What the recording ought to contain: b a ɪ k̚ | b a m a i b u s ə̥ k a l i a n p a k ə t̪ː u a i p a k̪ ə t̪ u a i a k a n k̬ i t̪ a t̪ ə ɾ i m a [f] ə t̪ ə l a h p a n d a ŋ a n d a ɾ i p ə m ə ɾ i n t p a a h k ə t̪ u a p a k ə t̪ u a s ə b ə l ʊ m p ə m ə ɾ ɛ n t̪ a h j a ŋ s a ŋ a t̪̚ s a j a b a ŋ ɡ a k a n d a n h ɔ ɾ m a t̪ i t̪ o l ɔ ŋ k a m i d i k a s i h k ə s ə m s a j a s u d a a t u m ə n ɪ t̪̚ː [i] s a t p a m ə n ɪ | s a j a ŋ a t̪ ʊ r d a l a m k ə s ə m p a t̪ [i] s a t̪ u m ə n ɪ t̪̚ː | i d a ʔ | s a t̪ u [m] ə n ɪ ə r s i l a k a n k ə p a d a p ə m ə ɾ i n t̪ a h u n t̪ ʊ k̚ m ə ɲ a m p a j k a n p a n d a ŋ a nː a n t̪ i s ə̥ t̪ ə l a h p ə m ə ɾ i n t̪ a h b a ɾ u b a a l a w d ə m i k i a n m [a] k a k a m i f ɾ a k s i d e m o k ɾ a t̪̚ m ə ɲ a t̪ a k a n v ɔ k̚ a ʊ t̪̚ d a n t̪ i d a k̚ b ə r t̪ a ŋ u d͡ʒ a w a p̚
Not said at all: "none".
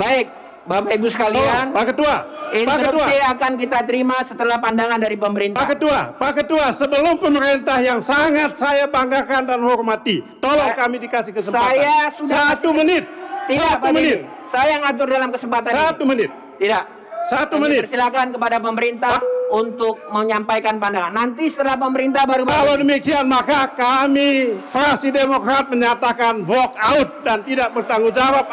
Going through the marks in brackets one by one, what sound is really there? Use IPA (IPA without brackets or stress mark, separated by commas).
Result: s, i, a, m, a